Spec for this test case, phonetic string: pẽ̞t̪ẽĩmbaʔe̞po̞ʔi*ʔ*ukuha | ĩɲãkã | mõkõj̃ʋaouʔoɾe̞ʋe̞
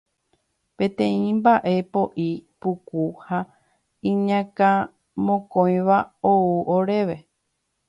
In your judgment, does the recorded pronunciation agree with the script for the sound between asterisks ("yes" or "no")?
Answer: no